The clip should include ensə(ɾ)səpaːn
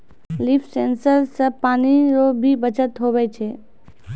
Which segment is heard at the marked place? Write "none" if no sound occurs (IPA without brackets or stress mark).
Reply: ɾ